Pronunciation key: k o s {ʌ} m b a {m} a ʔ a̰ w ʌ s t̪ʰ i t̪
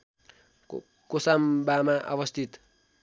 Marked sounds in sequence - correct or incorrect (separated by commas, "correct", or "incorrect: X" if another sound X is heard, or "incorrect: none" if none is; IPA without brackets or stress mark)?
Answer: incorrect: a, correct